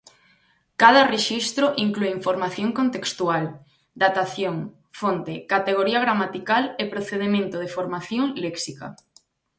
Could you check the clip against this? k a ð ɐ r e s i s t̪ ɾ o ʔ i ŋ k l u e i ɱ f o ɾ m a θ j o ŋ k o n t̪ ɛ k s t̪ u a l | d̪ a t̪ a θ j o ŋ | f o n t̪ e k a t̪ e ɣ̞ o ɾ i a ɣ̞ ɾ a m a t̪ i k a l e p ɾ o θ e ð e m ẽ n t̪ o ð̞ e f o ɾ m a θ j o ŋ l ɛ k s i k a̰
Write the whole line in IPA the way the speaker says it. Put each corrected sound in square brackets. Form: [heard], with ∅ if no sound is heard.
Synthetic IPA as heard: k a ð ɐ r e [ʃ] i s t̪ ɾ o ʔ i ŋ k l u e i ɱ f o ɾ m a θ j o ŋ k o n t̪ [e] k s t̪ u a l | d̪ a t̪ a θ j o ŋ | f o n t̪ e k a t̪ e ɣ̞ o ɾ i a ɣ̞ ɾ a m a t̪ i k a l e p ɾ o θ e ð e m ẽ n t̪ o ð̞ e f o ɾ m a θ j o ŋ l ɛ k s i k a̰